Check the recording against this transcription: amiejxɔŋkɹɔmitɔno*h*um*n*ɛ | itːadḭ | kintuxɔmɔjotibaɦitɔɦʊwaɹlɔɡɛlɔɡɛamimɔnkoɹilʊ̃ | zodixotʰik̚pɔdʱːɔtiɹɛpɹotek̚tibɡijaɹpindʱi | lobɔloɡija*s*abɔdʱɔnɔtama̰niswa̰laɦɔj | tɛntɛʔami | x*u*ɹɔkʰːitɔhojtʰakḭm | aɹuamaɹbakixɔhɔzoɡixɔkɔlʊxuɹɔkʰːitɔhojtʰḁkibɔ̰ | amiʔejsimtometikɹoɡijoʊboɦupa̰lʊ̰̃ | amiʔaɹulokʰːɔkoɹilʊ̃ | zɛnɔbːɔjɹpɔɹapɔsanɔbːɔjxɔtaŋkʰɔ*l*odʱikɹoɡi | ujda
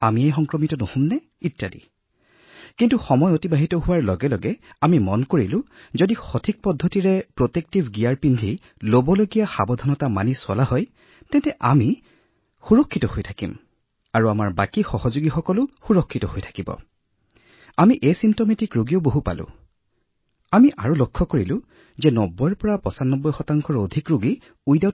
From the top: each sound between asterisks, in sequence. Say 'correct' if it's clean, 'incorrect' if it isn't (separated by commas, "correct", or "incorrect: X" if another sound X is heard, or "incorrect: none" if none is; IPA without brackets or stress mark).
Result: correct, correct, incorrect: x, correct, incorrect: ɹ